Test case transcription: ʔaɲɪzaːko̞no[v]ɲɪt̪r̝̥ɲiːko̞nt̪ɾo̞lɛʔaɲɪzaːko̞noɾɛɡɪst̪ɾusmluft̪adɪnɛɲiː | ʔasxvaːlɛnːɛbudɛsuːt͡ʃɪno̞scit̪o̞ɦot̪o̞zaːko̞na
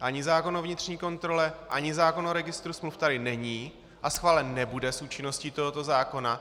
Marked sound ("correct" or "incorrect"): correct